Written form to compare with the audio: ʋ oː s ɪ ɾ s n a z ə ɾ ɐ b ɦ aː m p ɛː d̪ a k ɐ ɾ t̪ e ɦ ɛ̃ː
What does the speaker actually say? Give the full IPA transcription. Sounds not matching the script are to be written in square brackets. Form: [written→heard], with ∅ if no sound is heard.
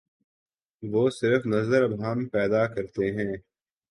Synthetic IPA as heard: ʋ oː s ɪ ɾ [s→f] n [a→ɐ] z ə ɾ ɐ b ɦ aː m p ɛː d̪ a k ɐ ɾ t̪ e ɦ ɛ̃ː